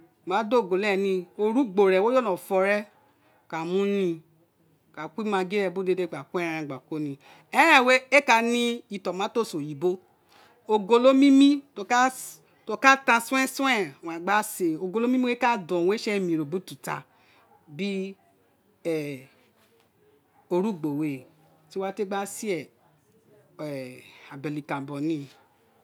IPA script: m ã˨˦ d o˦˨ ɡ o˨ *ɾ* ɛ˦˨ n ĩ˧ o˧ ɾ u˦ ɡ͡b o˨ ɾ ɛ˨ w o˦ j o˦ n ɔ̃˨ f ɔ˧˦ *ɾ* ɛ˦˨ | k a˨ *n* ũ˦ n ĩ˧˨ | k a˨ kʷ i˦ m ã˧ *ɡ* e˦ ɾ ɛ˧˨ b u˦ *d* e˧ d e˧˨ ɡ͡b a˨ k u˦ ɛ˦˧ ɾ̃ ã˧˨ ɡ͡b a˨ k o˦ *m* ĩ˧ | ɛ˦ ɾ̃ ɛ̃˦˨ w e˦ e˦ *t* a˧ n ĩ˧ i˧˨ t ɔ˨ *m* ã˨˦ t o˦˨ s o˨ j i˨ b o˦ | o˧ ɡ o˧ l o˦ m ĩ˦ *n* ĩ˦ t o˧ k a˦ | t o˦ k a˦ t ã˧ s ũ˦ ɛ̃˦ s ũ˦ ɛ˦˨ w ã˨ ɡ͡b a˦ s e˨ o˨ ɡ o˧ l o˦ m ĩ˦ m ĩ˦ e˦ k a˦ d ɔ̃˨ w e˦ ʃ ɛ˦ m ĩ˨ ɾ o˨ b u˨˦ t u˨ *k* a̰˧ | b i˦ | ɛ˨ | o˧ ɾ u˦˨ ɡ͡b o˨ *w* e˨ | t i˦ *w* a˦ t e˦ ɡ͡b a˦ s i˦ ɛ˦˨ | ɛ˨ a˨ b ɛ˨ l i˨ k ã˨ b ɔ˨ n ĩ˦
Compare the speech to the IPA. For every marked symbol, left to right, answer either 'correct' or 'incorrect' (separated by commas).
incorrect, correct, incorrect, correct, correct, incorrect, incorrect, correct, incorrect, incorrect, correct, correct